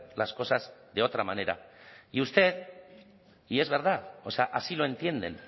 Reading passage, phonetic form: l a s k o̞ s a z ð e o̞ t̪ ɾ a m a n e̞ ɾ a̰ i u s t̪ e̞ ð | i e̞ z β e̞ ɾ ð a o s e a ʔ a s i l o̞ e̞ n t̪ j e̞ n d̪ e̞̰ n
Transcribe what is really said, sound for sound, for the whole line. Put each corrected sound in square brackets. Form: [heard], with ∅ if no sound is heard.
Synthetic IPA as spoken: l a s k o̞ s a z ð e o̞ t̪ ɾ a m a n e̞ ɾ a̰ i u s t̪ e̞ ð | i e̞ z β e̞ ɾ ð a o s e a ʔ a s i l o̞ e̞ n t̪ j e̞ n d̪ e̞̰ n